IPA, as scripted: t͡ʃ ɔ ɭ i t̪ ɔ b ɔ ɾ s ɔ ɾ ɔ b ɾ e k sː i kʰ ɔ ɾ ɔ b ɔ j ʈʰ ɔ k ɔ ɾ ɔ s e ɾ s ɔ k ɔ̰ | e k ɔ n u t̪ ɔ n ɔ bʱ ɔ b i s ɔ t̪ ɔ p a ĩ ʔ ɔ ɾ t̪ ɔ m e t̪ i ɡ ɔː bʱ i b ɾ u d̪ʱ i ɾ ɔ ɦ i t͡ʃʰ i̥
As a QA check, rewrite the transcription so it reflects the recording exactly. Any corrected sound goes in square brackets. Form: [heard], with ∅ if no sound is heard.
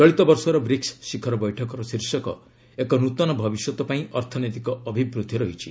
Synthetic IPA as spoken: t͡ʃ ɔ ɭ i t̪ ɔ b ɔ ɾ s ɔ ɾ ɔ b ɾ [i] k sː i kʰ ɔ ɾ ɔ b ɔ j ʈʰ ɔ k ɔ ɾ ɔ s [i] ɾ s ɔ k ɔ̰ | e k ɔ n u t̪ ɔ n ɔ bʱ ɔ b i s ɔ t̪ ɔ p a ĩ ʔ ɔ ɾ [t̪ʰ] ɔ [n] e t̪ i [k] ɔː bʱ i b ɾ u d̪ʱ i ɾ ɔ ɦ i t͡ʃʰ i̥